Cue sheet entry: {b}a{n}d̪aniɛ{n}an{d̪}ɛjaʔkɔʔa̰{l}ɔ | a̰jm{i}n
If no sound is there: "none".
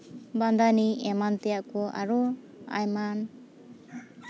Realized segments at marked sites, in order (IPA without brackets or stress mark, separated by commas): b, n, m, t̪, ɾ, a